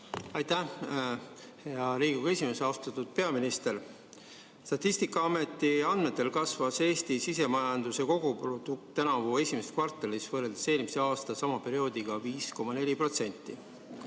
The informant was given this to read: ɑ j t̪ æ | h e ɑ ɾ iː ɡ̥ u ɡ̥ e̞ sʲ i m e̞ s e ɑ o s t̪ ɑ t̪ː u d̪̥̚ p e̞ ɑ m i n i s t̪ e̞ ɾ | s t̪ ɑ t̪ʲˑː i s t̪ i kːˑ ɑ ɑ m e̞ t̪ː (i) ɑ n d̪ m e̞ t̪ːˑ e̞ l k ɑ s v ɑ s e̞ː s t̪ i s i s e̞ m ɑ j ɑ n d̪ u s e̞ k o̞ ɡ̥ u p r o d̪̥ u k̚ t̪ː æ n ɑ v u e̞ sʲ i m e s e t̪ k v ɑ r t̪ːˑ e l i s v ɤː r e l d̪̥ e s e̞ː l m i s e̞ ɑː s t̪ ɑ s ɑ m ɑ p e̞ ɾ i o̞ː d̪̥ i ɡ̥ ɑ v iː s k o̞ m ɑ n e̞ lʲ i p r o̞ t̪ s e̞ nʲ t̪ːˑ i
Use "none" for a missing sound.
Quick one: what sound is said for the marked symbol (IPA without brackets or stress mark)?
i